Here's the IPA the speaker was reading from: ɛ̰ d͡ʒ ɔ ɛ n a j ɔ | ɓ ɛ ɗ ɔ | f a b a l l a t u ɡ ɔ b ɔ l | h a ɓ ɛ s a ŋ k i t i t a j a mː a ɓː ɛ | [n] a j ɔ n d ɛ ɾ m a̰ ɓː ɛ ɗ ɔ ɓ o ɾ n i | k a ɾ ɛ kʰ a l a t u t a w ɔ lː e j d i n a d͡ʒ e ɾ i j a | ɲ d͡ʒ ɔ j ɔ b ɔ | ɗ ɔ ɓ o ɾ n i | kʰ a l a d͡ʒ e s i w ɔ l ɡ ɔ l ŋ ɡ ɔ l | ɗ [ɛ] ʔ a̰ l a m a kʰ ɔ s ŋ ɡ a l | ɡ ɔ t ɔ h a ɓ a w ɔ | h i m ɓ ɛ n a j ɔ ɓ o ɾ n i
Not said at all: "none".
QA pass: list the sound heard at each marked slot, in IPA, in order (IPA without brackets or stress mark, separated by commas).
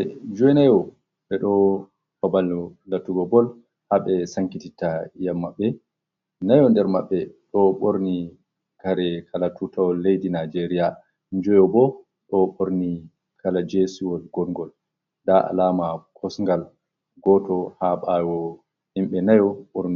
n, a